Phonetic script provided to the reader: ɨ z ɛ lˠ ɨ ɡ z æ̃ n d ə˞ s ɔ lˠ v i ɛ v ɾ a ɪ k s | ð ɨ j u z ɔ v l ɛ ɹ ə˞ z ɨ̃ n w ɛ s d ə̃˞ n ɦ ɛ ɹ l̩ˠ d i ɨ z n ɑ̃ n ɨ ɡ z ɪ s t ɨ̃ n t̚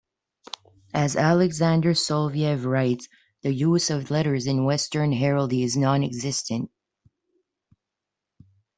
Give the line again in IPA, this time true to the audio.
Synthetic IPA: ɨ z æ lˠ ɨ ɡ z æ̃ n d ə˞ s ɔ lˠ v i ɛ v ɹ a ɪ t s | ð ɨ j u z ʌ v l ɛ ɾ ə˞ z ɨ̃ n w ɛ s t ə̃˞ n ɦ ɛ ɹ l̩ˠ d i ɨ z n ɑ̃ n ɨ ɡ z ɪ s t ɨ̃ n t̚